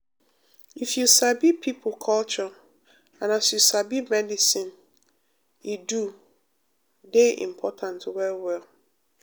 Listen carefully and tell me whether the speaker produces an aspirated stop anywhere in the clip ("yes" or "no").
yes